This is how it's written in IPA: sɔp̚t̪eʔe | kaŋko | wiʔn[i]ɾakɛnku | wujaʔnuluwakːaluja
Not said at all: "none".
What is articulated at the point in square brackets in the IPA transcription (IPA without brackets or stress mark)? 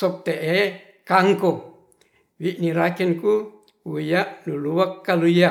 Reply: i